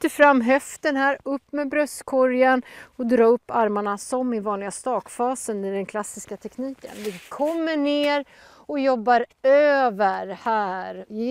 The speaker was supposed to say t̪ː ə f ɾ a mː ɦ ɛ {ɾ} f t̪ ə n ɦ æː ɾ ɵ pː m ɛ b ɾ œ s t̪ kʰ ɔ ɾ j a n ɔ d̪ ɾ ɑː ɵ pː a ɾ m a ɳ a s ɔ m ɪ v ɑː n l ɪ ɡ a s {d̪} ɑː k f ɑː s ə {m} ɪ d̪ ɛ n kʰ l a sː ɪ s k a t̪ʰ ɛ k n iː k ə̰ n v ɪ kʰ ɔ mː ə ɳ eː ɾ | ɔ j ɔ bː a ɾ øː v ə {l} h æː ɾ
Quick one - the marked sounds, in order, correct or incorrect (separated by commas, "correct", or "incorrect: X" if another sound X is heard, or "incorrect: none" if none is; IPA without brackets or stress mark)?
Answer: incorrect: none, incorrect: t̪, incorrect: n, incorrect: ɾ